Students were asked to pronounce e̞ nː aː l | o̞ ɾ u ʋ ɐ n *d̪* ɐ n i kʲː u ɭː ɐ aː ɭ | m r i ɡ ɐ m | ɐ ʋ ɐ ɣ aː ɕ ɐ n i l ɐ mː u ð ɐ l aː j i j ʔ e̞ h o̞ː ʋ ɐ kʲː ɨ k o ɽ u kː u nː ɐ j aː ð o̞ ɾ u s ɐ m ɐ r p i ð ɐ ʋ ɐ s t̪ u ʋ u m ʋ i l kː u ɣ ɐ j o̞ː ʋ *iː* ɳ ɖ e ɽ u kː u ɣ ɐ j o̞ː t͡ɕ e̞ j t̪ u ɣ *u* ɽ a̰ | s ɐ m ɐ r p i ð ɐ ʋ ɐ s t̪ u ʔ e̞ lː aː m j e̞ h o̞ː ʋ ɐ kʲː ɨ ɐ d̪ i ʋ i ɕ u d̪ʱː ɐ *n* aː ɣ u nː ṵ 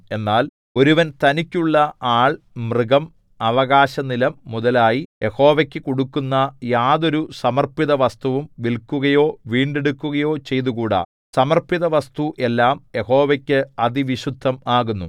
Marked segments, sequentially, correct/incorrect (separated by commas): incorrect, correct, incorrect, incorrect